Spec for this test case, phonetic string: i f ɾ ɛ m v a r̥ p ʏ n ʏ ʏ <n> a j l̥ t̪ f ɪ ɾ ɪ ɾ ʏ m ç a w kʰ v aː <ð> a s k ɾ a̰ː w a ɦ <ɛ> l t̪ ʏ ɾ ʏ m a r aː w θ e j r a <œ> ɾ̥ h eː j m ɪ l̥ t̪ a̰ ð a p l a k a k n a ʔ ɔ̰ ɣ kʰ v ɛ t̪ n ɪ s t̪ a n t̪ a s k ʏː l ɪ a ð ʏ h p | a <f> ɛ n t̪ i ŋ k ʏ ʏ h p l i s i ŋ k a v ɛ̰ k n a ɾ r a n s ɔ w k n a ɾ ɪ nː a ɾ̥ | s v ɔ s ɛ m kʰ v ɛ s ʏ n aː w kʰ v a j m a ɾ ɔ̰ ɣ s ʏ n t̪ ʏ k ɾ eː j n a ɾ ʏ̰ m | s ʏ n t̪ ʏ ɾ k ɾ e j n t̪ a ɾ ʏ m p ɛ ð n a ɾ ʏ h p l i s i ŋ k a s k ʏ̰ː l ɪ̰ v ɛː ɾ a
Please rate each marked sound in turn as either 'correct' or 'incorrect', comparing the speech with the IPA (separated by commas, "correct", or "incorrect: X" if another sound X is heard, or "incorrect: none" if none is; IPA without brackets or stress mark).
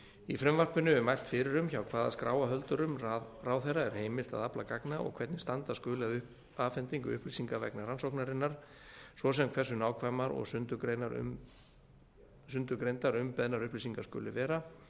incorrect: m, correct, incorrect: œ, incorrect: ɛ, correct